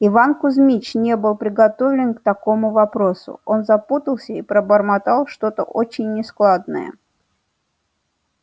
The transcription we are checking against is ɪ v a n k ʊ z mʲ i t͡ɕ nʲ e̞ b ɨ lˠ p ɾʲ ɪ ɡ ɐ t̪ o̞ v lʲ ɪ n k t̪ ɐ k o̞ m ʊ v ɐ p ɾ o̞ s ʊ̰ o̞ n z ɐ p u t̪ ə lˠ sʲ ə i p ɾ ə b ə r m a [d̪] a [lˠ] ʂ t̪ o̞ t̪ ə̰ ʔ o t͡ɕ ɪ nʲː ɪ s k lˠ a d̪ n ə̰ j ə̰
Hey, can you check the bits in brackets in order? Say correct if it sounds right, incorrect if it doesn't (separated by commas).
incorrect, correct